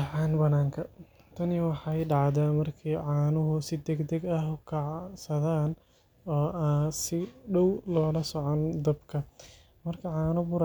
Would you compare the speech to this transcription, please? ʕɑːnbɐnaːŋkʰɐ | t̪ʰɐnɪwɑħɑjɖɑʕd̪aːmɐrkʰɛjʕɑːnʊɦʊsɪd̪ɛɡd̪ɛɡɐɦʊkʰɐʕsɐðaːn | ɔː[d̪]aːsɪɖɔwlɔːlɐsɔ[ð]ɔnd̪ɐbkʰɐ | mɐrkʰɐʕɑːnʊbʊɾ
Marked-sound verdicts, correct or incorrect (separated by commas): incorrect, incorrect